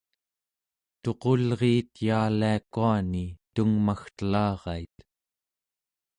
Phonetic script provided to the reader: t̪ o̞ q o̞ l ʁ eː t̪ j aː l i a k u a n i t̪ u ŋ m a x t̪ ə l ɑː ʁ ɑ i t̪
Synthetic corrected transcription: t̪ o̞ q o̞ l ʁ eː t̪ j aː l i a k u a n i t̪ u ŋ m a x t̪ ə l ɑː ʁ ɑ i t̪